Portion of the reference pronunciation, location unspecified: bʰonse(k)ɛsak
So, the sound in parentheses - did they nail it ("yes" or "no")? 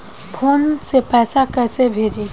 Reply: no